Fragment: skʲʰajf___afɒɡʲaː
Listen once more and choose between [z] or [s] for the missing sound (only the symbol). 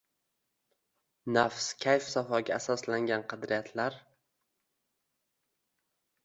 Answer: s